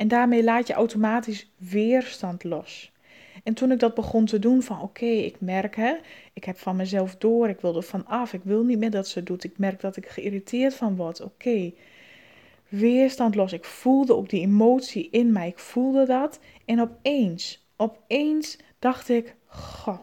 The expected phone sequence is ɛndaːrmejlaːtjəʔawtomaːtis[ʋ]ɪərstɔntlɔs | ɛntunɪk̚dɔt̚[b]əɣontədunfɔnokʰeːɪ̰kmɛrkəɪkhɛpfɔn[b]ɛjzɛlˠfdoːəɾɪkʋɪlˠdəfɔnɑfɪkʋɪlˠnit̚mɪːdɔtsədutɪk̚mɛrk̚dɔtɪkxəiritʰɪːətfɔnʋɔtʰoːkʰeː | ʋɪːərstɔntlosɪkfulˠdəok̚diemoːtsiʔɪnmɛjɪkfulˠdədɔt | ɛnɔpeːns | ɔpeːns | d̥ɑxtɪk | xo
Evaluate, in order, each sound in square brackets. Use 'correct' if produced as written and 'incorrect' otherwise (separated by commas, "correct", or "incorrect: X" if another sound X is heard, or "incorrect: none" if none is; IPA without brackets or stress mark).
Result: correct, correct, incorrect: m